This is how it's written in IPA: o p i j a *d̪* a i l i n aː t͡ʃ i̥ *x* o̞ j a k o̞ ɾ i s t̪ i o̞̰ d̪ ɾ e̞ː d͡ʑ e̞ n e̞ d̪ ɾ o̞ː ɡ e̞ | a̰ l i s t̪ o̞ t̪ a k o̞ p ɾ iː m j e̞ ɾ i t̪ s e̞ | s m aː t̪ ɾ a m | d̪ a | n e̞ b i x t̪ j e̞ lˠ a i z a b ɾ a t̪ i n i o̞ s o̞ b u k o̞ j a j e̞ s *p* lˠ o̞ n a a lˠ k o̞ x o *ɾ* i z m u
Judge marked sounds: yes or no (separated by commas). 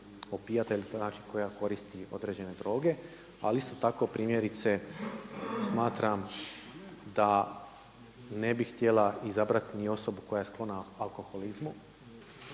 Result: no, no, no, no